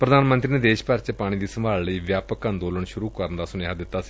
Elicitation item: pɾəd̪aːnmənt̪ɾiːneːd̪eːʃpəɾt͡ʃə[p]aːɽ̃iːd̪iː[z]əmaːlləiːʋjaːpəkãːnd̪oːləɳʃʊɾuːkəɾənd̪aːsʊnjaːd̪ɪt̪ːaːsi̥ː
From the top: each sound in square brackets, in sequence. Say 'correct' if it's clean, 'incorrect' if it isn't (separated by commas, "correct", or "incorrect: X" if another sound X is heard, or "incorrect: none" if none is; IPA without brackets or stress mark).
correct, incorrect: s